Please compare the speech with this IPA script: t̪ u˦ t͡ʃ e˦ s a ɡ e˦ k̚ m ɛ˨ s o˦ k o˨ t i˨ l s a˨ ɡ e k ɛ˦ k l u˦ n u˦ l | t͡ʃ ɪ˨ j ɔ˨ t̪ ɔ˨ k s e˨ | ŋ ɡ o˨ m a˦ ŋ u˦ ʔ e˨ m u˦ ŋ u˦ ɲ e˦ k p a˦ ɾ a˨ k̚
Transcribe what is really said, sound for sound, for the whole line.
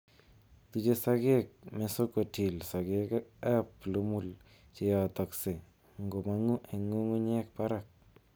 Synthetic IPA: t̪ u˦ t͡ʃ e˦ s a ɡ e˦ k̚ m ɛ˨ s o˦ k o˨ t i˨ l s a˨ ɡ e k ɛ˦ p l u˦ m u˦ l | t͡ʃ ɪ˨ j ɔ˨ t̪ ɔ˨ k s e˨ | ŋ ɡ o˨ m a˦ ŋ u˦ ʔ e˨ ŋ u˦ ŋ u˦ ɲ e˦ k p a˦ ɾ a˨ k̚